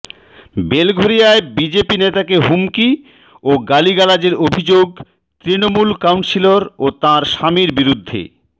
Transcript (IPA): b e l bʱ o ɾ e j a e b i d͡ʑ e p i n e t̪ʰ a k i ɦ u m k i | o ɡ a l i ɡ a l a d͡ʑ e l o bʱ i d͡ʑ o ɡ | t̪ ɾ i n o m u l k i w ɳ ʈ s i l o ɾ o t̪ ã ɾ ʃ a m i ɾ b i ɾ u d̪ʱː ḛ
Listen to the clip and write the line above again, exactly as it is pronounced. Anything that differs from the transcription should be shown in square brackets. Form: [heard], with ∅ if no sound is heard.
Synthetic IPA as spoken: b e l [ɡʱ] o ɾ [i] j a e b i d͡ʑ e p i n e [t̪] a k [e] ɦ u m k i | o ɡ a l i ɡ a l a d͡ʑ e [ɾ] o bʱ i d͡ʑ o ɡ | t̪ ɾ i n o m u l k [a] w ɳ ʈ s i l o ɾ o t̪ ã ɾ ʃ a m i ɾ b i ɾ u d̪ʱː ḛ